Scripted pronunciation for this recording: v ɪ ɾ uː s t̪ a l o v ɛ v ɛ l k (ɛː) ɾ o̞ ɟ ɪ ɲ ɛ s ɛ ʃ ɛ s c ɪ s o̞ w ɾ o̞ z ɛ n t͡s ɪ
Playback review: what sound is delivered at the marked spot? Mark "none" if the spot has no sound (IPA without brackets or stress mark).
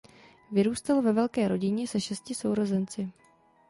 ɛː